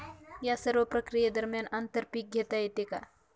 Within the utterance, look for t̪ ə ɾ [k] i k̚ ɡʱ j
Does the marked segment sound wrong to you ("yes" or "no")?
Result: yes